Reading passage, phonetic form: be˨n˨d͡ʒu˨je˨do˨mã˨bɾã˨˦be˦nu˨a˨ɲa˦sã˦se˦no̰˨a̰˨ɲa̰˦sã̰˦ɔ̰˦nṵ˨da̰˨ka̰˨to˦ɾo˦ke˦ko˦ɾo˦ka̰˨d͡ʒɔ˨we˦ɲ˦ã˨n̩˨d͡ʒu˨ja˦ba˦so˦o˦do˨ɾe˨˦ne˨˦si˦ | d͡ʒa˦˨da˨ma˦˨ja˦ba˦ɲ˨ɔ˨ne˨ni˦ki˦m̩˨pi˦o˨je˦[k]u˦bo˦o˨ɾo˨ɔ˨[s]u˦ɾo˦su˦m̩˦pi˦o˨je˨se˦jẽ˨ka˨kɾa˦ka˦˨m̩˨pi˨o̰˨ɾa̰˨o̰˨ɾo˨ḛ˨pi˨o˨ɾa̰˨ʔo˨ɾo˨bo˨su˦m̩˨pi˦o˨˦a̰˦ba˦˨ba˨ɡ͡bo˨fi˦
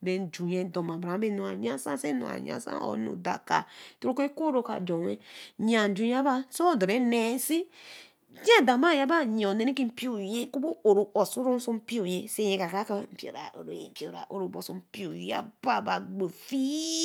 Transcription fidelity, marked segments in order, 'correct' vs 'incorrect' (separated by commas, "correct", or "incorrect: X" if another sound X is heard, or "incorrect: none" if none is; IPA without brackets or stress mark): correct, correct